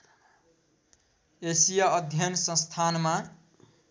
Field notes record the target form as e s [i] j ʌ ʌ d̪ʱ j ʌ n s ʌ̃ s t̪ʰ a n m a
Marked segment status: correct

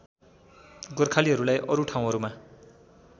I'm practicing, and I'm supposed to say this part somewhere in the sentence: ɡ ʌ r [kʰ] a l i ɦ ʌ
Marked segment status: correct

